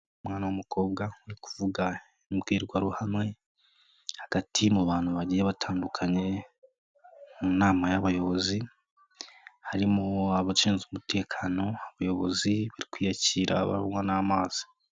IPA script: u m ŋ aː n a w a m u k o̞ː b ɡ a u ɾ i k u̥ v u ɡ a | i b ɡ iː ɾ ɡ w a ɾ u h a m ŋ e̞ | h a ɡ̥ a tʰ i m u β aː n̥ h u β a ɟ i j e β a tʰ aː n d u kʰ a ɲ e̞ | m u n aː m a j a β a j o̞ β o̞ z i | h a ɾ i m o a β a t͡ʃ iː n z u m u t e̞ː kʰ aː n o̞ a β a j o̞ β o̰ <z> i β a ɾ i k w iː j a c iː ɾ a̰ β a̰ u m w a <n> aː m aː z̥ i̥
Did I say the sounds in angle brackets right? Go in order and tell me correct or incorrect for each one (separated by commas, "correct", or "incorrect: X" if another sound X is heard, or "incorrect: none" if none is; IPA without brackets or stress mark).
correct, correct